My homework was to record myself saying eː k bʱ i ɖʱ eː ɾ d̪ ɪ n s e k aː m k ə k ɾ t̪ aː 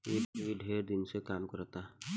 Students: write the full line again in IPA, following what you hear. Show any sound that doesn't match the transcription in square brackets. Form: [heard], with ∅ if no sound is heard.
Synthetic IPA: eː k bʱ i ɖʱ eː ɾ d̪ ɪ n s e k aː m k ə [∅] ɾ t̪ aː